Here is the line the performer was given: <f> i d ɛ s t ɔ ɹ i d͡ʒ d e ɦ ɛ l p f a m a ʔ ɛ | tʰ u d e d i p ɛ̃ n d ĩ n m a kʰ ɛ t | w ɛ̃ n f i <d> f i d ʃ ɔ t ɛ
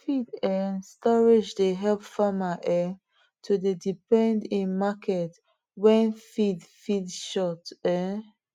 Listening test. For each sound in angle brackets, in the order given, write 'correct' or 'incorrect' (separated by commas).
correct, correct